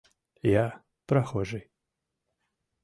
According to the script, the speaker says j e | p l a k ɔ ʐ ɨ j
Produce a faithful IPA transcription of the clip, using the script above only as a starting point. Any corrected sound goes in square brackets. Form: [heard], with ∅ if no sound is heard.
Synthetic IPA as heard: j [a] | p [ɾ] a [x] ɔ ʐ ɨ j